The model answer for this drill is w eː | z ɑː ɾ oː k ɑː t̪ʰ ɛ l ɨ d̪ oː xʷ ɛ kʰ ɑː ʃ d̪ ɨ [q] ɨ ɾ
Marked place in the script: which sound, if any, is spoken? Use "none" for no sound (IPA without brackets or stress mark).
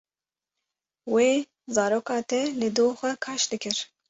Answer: k